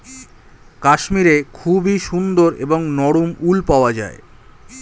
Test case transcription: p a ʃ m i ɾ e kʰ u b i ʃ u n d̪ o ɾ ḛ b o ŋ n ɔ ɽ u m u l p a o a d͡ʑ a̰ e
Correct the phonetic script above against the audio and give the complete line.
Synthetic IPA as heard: k a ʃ m i ɾ e kʰ u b i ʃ u n d̪ o ɾ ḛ b o ŋ n ɔ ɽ u m u l p a o a d͡ʑ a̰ e